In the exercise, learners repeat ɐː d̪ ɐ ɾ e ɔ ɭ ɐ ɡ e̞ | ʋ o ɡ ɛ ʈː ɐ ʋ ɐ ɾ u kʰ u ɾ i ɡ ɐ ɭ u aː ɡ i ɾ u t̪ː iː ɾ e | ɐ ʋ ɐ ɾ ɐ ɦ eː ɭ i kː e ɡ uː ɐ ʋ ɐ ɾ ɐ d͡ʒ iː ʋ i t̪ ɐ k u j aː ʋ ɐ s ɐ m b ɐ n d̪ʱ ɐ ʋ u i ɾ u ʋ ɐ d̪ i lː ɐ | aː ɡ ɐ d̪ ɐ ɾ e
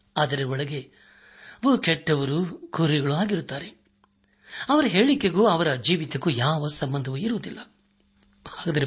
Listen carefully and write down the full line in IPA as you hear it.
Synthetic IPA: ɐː d̪ ɐ ɾ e ɔ ɭ ɐ ɡ e̞ | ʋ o k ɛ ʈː ɐ ʋ ɐ ɾ u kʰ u ɾ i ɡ ɐ ɭ u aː ɡ i ɾ u t̪ː aː ɾ e | ɐ ʋ ɐ ɾ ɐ ɦ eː ɭ i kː e ɡ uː ɐ ʋ ɐ ɾ ɐ d͡ʒ iː ʋ i t̪ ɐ k u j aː ʋ ɐ s ɐ m b ɐ n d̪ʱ ɐ ʋ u i ɾ u ʋ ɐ d̪ i lː ɐ | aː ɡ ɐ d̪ ɐ ɾ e